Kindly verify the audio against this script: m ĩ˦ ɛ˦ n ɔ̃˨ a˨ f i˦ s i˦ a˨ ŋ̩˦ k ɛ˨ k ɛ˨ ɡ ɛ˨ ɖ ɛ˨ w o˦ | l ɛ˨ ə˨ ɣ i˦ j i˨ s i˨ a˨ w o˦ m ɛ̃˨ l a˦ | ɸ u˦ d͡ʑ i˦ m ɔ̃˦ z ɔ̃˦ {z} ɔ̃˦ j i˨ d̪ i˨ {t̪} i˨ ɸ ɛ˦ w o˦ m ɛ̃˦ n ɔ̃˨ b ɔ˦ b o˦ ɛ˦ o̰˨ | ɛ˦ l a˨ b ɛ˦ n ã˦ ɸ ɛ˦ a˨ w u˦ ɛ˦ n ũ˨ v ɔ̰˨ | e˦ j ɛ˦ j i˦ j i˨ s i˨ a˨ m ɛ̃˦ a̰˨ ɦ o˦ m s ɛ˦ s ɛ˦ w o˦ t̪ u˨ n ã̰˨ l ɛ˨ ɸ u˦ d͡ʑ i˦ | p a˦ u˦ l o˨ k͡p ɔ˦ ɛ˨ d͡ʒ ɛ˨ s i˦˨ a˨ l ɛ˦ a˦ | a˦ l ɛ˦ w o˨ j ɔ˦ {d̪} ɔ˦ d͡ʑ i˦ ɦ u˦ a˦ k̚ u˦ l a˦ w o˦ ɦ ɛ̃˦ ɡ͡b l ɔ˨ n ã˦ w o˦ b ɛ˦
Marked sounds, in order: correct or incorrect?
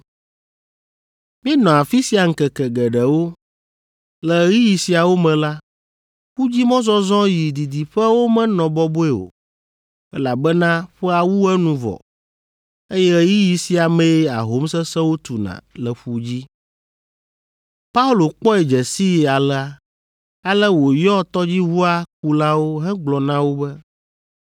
correct, incorrect: d̪, incorrect: t̪

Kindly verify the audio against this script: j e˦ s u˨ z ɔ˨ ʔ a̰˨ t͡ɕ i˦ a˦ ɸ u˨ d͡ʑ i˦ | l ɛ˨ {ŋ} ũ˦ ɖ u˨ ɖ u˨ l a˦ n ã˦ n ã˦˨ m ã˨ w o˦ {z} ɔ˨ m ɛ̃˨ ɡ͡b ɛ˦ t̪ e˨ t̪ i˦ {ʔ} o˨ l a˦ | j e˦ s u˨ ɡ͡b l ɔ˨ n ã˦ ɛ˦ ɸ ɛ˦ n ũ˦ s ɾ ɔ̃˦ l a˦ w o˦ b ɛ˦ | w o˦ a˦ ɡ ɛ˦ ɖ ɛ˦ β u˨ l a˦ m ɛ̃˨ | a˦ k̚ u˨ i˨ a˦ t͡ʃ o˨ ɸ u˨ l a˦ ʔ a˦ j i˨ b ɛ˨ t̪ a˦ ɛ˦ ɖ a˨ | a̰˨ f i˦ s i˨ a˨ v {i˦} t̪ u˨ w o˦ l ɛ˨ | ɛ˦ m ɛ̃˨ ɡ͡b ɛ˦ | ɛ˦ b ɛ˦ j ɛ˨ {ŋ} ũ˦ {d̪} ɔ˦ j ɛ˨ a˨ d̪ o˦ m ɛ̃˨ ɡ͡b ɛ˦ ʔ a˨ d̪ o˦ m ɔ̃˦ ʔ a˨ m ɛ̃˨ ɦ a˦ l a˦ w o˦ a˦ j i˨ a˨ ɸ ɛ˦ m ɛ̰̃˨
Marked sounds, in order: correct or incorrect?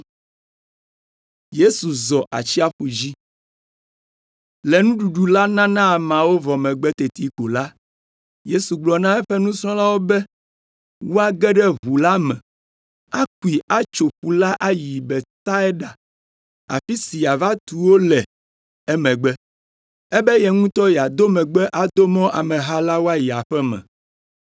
incorrect: n, incorrect: v, incorrect: k, incorrect: a˦, correct, incorrect: t̪

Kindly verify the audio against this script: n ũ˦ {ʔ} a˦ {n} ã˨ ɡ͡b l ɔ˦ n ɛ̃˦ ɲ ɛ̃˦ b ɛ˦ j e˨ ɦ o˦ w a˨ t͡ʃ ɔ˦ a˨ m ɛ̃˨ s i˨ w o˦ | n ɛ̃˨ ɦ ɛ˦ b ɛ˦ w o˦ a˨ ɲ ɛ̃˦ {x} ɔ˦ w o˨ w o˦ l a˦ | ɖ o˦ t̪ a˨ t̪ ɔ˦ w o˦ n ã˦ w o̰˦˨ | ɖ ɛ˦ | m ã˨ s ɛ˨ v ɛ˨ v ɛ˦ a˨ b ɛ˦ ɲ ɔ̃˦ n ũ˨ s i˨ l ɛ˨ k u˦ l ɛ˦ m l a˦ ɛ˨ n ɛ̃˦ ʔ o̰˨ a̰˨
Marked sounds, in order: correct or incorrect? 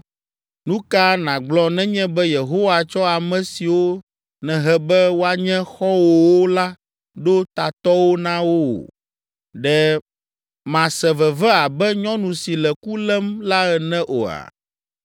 incorrect: k, correct, correct

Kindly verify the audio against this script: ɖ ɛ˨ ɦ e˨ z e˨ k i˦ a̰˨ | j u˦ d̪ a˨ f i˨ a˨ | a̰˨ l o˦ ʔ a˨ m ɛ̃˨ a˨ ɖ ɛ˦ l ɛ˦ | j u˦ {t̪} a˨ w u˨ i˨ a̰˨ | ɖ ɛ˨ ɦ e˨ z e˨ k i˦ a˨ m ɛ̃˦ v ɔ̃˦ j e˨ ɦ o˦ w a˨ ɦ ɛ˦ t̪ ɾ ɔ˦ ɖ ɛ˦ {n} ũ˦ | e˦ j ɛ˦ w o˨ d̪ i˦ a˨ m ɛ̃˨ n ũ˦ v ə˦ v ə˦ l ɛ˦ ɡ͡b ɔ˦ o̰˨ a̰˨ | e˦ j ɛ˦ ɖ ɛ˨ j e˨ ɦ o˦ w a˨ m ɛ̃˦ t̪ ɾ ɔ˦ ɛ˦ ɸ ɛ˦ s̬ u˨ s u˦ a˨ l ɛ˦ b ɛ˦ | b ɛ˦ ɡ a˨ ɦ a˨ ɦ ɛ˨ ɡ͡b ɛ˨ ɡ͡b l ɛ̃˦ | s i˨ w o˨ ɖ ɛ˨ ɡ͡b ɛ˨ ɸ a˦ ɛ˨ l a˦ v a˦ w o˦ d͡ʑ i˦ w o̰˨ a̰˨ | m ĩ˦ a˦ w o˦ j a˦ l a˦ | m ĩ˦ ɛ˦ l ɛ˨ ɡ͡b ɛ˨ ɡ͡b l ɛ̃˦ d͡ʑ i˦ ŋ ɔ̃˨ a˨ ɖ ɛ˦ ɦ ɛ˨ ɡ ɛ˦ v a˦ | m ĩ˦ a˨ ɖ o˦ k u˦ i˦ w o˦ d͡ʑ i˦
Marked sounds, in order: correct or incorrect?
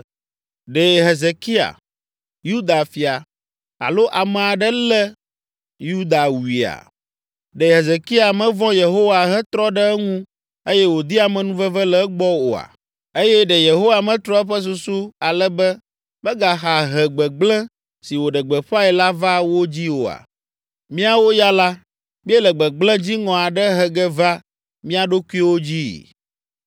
incorrect: d̪, incorrect: ŋ

